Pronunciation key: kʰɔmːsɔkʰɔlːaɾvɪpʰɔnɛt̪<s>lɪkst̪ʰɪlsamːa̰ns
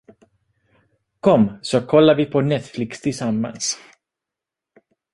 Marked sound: incorrect: f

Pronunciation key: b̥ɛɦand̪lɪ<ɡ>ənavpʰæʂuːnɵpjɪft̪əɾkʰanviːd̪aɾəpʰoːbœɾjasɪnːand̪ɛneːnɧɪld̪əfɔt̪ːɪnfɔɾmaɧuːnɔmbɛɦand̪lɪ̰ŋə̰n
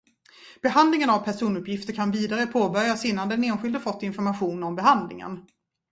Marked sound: incorrect: ŋ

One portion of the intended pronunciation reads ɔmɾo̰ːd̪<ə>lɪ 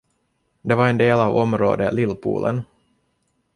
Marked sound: correct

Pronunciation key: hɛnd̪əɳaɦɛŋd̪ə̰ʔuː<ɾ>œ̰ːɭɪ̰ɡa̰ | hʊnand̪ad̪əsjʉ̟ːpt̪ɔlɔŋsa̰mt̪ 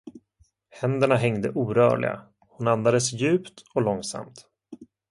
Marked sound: correct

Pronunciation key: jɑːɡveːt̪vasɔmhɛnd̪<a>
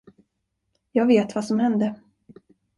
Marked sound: incorrect: ə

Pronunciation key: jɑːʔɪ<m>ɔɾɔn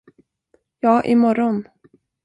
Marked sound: correct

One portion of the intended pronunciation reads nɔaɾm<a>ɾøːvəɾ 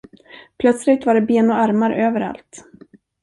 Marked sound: correct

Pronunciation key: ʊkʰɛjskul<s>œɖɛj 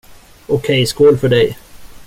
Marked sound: incorrect: f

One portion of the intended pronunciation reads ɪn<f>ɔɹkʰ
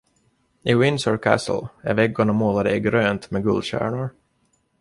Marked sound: incorrect: s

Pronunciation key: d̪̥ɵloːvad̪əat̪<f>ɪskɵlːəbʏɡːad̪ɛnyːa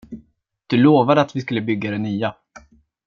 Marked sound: incorrect: v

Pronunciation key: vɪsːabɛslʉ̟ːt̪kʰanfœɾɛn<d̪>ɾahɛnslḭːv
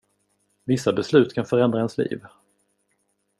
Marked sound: correct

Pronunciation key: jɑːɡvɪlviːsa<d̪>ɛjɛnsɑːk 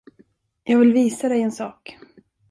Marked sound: correct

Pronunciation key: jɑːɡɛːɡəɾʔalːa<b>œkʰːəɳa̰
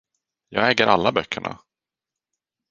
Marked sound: correct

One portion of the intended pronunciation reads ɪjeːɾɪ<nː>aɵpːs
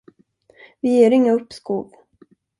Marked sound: incorrect: ŋː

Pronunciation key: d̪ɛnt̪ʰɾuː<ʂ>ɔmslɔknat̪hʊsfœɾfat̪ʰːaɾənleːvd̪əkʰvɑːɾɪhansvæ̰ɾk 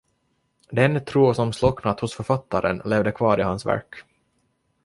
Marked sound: incorrect: s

